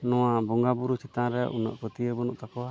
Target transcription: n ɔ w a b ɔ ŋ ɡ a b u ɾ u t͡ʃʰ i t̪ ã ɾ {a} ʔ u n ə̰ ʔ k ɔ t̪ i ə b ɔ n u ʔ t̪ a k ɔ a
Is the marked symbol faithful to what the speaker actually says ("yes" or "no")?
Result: no